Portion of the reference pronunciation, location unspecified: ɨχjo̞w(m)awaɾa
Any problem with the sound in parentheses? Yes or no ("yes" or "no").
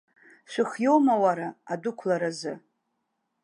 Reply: no